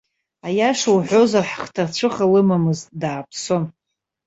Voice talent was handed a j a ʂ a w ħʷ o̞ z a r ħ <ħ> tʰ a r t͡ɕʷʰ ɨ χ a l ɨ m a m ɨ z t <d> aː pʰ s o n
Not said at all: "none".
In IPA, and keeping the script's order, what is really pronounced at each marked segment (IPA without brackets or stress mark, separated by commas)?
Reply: χ, d